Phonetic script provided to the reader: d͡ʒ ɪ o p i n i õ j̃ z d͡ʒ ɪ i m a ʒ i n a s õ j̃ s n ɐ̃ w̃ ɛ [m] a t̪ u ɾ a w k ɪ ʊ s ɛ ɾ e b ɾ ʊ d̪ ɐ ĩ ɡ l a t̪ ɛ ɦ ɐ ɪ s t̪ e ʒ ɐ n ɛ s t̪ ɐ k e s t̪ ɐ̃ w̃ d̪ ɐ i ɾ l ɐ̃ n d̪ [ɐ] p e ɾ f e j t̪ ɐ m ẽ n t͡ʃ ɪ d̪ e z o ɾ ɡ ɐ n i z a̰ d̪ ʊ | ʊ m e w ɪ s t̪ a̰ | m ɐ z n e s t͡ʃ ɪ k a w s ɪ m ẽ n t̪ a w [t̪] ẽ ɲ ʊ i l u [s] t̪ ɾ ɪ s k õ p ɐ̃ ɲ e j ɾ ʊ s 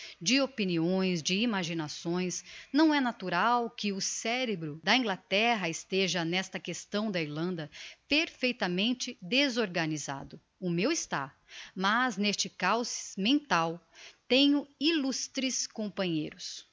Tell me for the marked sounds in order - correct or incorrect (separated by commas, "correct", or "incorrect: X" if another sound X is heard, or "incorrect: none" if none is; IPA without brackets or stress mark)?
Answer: incorrect: n, correct, correct, correct